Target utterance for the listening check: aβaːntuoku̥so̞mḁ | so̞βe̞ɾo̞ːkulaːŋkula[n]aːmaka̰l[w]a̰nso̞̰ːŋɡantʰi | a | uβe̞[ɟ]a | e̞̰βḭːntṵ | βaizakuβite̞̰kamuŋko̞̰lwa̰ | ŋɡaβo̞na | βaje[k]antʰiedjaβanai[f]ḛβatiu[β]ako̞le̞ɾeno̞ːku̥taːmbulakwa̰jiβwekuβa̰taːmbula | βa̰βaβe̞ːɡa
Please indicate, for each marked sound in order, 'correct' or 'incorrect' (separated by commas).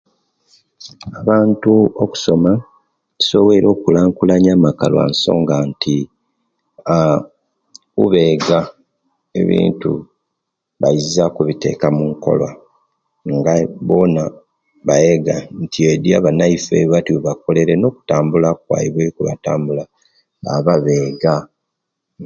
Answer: incorrect, correct, incorrect, incorrect, correct, correct